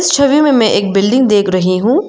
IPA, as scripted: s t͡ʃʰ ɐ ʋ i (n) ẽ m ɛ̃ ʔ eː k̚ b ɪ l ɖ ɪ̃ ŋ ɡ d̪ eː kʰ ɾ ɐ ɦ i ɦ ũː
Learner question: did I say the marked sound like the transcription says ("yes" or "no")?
no